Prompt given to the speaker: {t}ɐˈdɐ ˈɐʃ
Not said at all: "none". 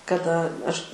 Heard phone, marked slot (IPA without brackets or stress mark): k